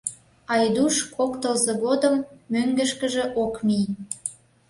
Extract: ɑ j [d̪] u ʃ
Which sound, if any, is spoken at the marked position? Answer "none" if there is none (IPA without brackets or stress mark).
d̪